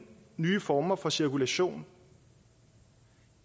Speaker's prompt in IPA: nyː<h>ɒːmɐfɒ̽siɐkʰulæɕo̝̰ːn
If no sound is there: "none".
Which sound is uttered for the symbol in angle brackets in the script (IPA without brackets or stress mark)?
f